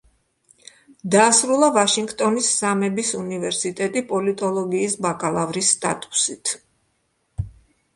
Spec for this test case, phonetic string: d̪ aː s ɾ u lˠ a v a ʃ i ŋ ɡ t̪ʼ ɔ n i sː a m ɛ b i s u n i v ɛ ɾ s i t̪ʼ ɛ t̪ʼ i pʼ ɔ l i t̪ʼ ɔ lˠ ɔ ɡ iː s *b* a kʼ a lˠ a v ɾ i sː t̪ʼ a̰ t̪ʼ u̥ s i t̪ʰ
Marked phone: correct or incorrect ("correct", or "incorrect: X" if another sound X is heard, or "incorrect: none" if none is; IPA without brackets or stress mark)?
correct